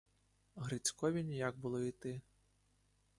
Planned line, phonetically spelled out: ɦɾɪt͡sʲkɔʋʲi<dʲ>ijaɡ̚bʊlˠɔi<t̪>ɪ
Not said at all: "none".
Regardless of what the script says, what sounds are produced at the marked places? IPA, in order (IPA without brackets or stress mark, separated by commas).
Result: nʲ, t̪